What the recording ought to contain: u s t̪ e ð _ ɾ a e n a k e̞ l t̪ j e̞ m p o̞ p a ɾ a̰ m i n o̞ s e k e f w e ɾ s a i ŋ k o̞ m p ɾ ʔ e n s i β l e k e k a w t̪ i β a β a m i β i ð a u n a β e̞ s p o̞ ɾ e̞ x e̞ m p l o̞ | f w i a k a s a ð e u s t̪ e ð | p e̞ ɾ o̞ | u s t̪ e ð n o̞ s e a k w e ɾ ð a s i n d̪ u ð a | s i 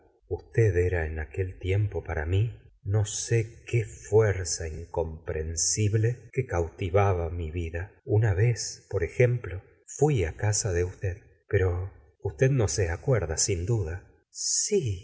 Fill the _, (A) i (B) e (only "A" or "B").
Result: B